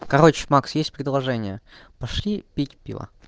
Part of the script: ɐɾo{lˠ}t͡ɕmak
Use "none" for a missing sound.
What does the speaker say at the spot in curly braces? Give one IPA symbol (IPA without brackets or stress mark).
none